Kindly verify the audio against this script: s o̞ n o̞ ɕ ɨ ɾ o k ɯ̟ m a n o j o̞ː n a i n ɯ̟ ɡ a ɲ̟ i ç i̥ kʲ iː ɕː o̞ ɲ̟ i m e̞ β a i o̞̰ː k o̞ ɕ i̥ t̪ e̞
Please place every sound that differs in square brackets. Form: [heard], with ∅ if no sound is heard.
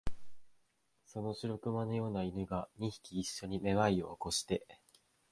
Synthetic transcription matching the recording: s o̞ n o̞ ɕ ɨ ɾ o k ɯ̟ m a n o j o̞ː n a i n ɯ̟ ɡ a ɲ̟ i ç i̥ kʲ iː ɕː o̞ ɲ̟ i m e̞ β a i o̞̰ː k o̞ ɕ i̥ t̪ e̞